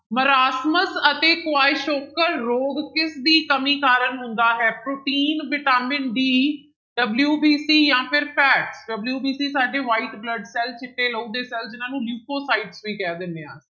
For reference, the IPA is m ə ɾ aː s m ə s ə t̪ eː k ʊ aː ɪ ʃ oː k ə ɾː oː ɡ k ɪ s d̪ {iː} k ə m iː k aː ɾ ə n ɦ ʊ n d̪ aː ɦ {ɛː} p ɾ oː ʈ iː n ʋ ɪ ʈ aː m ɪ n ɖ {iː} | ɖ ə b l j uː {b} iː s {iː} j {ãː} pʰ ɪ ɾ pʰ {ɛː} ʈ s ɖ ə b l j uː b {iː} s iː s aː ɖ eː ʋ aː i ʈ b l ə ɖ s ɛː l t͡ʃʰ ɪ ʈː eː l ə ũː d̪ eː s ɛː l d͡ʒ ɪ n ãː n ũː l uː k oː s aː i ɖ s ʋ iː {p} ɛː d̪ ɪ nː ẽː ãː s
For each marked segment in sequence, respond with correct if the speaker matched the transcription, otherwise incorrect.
correct, correct, correct, correct, correct, correct, correct, correct, incorrect: k

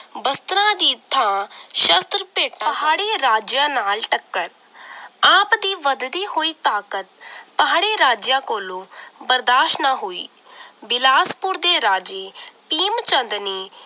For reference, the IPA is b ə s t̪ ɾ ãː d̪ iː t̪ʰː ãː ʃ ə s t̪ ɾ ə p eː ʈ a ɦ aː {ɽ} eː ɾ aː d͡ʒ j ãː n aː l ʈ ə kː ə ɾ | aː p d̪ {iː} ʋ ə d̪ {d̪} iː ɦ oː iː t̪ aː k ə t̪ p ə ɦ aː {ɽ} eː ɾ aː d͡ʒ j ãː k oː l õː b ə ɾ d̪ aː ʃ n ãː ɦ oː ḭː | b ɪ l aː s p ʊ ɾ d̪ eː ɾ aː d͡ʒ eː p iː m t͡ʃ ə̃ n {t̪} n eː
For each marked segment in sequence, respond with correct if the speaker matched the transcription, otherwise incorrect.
correct, correct, correct, correct, incorrect: d̪

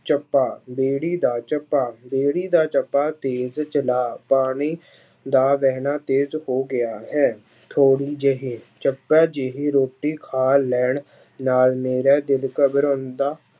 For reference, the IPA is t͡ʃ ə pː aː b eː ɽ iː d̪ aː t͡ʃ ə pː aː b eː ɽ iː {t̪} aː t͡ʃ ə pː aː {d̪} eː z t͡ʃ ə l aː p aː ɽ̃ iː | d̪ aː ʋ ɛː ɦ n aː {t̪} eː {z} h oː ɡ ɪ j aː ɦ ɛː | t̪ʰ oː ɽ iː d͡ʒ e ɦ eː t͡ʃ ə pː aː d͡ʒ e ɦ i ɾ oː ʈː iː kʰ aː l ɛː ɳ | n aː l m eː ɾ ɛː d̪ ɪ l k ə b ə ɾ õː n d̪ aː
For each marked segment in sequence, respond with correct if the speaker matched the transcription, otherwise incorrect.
incorrect: d̪, incorrect: t̪, correct, correct

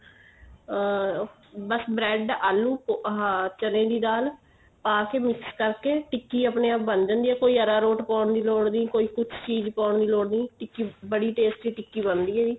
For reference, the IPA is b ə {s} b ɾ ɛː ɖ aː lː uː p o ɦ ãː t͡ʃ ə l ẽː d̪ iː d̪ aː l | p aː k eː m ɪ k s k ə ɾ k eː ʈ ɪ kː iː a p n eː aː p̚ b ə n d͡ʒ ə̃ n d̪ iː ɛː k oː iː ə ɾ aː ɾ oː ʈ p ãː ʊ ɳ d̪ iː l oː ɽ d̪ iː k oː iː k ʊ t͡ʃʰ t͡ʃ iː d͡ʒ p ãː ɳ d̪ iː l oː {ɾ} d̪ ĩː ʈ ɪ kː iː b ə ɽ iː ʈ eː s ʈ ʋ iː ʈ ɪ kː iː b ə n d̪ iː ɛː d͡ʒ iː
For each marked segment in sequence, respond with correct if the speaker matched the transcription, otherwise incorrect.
correct, incorrect: ɽ

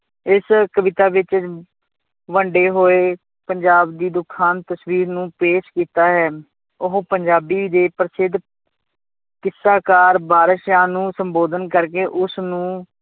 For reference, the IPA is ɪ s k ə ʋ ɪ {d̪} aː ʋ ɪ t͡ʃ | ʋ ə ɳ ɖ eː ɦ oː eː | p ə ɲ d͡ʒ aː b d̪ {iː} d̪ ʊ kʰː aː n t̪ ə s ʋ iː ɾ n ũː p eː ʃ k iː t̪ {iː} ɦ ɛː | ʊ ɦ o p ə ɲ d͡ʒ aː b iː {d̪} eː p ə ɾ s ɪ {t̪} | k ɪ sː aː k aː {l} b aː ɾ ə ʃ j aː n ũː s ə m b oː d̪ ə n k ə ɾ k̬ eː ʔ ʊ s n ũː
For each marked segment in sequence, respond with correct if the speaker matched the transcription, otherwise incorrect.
incorrect: t̪, correct, incorrect: aː, correct, incorrect: d̪, incorrect: ɾ

